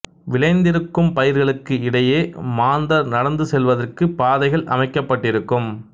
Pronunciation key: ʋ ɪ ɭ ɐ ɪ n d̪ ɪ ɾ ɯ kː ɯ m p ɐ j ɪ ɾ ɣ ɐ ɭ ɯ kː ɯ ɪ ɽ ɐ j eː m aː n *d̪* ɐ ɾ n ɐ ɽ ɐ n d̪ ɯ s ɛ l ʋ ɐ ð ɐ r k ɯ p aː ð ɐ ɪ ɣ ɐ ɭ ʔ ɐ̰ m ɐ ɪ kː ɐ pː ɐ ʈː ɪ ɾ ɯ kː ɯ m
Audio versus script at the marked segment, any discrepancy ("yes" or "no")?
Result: no